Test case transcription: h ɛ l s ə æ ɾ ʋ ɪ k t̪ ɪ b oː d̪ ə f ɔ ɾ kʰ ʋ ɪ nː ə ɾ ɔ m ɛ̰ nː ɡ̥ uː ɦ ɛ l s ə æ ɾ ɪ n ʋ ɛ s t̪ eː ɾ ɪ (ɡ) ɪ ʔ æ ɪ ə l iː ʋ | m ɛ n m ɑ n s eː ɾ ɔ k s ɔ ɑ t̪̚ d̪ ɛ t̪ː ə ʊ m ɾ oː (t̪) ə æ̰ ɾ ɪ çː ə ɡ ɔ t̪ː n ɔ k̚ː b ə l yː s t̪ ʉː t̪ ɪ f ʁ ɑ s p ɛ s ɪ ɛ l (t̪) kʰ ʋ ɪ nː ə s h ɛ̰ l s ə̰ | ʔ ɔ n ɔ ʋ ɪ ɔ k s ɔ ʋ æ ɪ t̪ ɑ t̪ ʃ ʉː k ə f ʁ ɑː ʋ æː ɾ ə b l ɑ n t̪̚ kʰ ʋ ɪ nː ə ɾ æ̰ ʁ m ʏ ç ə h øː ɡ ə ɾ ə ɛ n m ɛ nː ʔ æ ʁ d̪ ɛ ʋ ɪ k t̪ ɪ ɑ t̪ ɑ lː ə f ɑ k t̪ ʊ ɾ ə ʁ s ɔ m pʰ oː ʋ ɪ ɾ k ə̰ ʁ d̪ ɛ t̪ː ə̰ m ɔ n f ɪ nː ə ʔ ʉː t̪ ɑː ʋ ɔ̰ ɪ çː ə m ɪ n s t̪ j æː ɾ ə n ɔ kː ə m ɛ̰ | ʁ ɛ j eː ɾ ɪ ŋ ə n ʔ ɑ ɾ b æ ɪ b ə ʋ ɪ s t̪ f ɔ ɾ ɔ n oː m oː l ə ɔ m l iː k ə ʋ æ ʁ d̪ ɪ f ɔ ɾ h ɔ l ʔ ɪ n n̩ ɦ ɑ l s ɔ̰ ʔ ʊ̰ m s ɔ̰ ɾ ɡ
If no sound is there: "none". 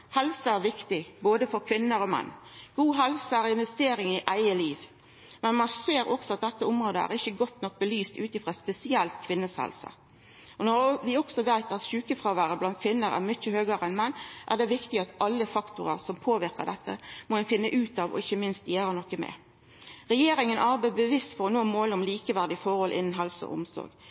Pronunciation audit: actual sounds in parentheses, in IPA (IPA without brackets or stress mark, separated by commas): ŋ, d̪, t̪